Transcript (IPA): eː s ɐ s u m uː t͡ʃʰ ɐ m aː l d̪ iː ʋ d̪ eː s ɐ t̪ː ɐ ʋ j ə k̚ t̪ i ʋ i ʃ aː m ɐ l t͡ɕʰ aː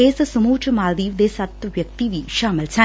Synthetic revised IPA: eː s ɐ s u m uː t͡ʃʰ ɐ m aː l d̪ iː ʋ d̪ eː s ɐ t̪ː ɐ ʋ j ɐ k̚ t̪ i ʋ i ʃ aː m ɐ l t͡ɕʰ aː